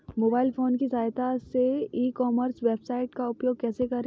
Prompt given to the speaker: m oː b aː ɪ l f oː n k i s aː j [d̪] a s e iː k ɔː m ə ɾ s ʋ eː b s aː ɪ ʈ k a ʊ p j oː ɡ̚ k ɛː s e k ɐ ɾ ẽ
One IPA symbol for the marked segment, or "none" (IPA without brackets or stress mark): t̪